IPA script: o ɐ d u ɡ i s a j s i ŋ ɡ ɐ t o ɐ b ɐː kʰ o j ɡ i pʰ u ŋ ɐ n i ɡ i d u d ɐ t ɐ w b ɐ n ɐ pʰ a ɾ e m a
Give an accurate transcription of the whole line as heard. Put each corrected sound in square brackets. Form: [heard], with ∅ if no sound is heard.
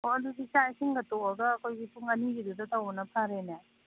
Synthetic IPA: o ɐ d u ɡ i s a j s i ŋ ɡ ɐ t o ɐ [ɡ] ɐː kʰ o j ɡ i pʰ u ŋ ɐ n i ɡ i d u d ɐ t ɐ w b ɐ n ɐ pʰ a ɾ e [n] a